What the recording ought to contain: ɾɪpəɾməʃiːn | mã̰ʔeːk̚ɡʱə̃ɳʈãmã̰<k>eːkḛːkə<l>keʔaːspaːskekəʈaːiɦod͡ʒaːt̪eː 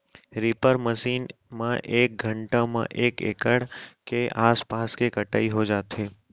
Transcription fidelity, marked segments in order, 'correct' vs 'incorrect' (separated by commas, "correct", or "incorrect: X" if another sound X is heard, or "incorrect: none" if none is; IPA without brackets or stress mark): incorrect: ʔ, incorrect: ɽ